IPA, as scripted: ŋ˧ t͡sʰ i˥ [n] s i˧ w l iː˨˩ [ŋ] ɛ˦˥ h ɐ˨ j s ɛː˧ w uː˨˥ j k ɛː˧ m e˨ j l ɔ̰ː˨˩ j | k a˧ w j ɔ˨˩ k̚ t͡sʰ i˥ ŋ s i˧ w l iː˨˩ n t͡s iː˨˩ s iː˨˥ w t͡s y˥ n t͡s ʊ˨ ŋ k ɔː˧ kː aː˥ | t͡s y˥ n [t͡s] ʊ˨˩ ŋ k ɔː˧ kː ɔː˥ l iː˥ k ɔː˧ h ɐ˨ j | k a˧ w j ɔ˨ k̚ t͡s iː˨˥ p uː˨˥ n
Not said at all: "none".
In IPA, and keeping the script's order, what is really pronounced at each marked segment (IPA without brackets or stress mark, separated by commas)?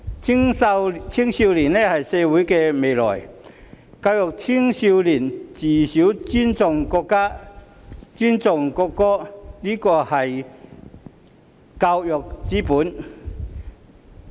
ŋ, n, t͡s